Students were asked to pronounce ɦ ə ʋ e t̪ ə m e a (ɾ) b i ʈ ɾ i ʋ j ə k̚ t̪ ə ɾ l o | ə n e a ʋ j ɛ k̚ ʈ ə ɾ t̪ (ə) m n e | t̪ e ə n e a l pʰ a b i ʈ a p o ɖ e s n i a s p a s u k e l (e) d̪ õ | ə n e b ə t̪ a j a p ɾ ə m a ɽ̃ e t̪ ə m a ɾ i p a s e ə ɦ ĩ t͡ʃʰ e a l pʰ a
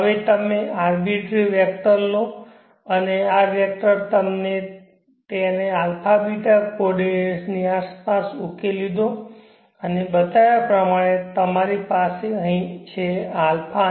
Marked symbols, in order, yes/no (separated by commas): yes, yes, no